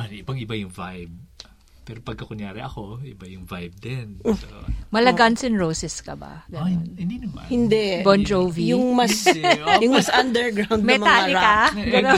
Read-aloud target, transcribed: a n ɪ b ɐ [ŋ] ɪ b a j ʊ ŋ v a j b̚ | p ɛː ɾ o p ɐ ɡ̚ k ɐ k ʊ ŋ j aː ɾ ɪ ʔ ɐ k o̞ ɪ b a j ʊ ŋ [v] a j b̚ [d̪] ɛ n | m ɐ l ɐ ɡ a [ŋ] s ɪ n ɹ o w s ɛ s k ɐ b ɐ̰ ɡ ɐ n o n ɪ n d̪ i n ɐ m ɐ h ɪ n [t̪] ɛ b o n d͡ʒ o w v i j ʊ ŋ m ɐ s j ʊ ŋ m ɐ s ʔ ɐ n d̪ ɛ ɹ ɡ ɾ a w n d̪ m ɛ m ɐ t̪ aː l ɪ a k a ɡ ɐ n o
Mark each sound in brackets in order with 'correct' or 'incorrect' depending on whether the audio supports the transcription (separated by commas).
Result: correct, correct, correct, incorrect, incorrect